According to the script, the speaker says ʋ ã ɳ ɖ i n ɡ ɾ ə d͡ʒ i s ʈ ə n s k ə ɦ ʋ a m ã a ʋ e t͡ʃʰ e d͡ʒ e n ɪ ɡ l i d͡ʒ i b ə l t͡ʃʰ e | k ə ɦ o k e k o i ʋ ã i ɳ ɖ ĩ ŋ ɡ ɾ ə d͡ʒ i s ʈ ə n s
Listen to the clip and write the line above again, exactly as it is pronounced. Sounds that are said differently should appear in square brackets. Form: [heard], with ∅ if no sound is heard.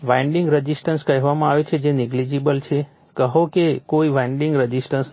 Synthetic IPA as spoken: ʋ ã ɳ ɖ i [ŋ] ɡ ɾ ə d͡ʒ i s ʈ ə n s k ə ɦ ʋ a m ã a ʋ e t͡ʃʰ e d͡ʒ e n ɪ ɡ l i d͡ʒ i b ə l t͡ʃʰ e | k ə ɦ o k e k o i ʋ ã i ɳ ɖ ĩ ŋ ɡ ɾ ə d͡ʒ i s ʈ ə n s

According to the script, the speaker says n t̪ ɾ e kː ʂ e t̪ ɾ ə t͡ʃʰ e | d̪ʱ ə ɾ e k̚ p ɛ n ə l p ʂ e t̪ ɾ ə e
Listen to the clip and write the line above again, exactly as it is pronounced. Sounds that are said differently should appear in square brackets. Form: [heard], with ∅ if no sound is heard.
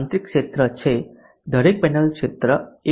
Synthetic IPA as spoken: n t̪ ɾ [i] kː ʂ e t̪ ɾ ə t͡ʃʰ e | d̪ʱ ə ɾ e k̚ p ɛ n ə l [k] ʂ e t̪ ɾ ə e

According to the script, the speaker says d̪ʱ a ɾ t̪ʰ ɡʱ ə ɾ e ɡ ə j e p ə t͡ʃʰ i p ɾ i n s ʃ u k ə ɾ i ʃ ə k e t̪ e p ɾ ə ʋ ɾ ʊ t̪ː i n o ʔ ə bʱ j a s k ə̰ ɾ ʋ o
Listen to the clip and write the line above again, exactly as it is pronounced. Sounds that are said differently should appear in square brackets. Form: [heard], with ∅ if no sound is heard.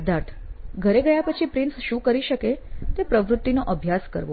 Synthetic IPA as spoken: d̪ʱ a ɾ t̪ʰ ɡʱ ə ɾ e ɡ ə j [a] p ə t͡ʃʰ i p ɾ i n s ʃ [ũ] k ə ɾ i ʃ ə k e t̪ e p ɾ ə ʋ ɾ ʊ t̪ː i n o ʔ ə bʱ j a s k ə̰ ɾ ʋ o

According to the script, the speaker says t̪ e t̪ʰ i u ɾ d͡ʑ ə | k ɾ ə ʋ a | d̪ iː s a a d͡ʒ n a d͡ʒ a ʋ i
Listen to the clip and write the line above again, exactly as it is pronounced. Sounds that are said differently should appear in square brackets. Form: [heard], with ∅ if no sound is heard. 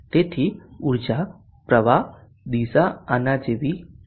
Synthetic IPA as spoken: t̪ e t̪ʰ i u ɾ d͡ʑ [a] | [p] ɾ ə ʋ a | d̪ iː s a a [∅] n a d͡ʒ [e] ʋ i

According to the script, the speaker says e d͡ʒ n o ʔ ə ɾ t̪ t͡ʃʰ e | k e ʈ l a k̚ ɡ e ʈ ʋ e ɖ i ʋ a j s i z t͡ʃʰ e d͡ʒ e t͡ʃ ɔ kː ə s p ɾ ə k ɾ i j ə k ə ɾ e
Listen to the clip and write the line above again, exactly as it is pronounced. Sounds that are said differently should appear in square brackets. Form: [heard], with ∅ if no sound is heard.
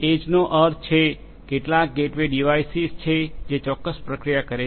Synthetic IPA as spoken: e d͡ʒ n o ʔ ə ɾ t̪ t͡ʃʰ e | k e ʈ l a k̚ ɡ e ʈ ʋ e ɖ i ʋ a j s i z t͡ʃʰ e d͡ʒ e t͡ʃ ɔ kː ə s p ɾ ə k ɾ i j [a] k ə ɾ e

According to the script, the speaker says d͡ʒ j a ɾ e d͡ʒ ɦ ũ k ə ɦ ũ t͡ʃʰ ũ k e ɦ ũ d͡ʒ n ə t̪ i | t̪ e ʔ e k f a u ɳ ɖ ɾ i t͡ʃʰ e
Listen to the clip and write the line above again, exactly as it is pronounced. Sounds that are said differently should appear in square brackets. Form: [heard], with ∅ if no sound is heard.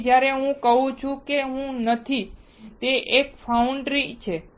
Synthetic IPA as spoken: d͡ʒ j a ɾ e [∅] ɦ ũ k ə ɦ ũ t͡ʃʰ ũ k e ɦ ũ [∅] n ə [t̪ʰ] i | t̪ e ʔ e k f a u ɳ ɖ ɾ i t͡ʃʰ e

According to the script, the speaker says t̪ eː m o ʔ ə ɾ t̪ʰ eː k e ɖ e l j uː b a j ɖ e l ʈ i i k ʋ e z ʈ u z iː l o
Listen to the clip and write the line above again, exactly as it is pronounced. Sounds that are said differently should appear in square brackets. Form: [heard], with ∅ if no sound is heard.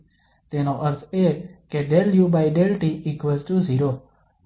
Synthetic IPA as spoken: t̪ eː [n] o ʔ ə ɾ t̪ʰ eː k e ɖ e l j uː b a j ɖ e l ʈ i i k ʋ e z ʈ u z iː [ɾ] o

